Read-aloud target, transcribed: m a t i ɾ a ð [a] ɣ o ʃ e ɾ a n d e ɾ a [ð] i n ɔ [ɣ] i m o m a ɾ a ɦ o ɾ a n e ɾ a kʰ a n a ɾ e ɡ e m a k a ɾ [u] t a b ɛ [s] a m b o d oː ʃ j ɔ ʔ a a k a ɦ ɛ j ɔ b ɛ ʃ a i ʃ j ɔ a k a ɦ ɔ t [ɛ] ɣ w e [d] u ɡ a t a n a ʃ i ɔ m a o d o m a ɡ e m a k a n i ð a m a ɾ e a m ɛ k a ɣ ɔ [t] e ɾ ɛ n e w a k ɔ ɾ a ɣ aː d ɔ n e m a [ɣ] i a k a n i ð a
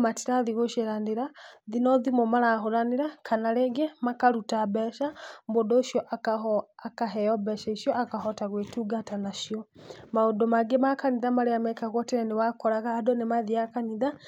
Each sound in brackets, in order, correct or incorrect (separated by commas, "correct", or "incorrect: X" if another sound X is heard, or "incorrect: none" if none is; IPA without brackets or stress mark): incorrect: i, correct, incorrect: ð, correct, incorrect: ʃ, incorrect: a, incorrect: t, correct, incorrect: ð